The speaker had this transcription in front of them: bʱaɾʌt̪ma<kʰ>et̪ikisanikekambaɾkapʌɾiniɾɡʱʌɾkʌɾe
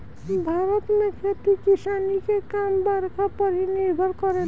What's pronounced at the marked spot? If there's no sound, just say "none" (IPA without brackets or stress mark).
kʰ